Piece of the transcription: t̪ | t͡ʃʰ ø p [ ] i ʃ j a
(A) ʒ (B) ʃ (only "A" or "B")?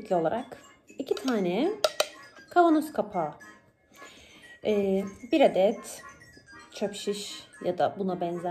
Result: B